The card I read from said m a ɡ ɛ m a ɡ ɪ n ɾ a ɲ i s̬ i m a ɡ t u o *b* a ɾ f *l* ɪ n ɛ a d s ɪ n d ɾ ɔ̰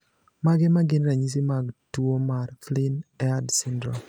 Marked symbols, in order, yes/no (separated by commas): no, yes